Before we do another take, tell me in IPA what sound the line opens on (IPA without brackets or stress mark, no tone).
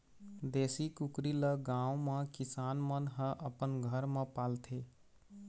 d̪